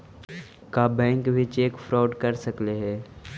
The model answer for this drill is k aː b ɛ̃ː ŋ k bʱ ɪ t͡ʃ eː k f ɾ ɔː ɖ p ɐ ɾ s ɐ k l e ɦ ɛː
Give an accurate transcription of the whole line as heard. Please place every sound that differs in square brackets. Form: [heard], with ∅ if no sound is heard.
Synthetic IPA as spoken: k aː b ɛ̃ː ŋ k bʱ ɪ t͡ʃ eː k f ɾ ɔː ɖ [k] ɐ ɾ s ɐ k l e ɦ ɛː